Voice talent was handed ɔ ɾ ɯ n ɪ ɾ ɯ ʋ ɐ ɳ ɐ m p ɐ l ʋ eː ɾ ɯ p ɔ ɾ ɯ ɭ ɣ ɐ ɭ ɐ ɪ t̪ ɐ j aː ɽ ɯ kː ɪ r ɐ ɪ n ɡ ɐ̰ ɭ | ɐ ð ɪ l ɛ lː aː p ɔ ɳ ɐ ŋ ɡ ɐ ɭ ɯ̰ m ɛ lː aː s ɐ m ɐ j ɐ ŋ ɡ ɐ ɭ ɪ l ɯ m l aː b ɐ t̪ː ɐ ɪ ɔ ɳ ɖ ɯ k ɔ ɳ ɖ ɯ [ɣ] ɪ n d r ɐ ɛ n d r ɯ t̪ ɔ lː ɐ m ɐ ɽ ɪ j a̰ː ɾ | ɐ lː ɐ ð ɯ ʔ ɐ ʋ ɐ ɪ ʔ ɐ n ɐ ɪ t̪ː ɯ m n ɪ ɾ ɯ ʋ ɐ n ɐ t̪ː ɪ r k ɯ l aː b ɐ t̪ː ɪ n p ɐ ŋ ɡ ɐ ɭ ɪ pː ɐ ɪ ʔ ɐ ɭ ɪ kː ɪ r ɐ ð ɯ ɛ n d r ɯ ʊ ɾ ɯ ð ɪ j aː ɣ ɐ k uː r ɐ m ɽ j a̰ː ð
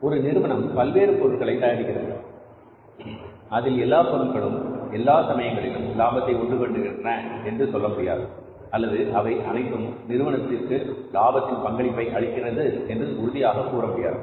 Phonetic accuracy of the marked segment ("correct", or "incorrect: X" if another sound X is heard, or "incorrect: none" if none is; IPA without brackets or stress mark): correct